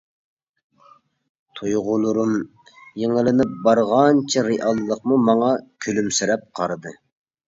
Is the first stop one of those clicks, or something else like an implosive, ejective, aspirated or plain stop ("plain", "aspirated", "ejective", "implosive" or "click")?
aspirated